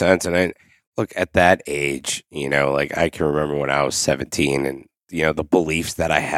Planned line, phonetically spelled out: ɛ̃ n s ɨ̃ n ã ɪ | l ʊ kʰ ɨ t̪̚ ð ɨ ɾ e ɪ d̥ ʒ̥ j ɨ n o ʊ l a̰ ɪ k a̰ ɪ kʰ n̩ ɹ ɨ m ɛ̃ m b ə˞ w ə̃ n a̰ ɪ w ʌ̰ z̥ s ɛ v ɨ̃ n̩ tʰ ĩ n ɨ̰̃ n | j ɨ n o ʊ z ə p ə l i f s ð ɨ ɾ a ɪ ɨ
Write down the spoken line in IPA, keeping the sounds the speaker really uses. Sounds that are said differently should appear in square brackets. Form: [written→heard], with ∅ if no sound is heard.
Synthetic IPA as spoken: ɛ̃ n s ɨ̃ n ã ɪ | l ʊ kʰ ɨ t̪̚ ð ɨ ɾ e ɪ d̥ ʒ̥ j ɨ n o ʊ l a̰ ɪ k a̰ ɪ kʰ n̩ ɹ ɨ m ɛ̃ m b ə˞ w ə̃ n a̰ ɪ w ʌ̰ z̥ s ɛ v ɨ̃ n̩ tʰ ĩ n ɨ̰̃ n | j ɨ n o ʊ [z→ð] ə [p→b] ə l i f s ð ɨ ɾ a ɪ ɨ